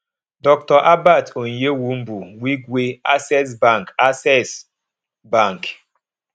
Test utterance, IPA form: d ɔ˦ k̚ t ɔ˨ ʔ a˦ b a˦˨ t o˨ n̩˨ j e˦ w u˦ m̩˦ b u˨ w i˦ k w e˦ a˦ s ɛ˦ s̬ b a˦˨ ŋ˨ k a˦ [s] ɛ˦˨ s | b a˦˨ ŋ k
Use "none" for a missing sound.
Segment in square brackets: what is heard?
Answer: s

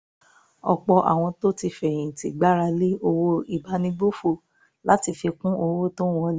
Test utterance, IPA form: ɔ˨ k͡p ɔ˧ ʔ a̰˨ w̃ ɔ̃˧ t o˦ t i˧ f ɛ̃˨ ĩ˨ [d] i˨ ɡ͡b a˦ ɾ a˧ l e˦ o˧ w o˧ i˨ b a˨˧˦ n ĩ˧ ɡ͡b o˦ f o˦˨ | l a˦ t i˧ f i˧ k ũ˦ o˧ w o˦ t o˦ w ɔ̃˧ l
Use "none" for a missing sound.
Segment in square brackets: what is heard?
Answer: t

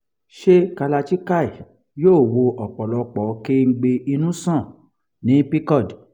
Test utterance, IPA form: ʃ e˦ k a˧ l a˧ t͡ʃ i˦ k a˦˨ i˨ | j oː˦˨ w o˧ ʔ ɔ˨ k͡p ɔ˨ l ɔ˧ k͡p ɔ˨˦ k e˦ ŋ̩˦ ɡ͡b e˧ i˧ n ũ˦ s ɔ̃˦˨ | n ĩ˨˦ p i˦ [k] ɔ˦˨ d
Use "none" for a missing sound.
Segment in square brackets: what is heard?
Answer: k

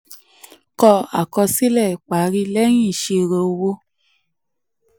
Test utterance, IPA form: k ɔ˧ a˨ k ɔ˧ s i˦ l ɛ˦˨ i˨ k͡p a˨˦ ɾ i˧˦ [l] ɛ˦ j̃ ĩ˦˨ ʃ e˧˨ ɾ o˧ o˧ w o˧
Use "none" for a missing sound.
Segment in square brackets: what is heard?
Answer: l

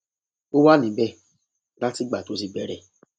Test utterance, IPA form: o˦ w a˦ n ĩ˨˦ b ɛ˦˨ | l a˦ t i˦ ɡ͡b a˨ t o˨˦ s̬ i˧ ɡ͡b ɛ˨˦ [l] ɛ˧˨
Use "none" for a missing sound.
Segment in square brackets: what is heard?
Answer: ɾ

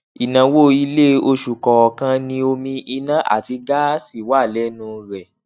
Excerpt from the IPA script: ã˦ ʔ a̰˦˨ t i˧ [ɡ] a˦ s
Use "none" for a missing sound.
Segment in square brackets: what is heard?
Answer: ɡ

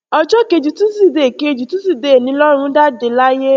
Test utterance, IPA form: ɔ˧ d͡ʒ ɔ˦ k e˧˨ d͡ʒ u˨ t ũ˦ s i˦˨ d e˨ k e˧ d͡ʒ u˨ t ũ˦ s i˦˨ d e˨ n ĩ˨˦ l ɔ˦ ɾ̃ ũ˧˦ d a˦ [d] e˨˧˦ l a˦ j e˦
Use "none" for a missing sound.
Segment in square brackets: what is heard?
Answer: d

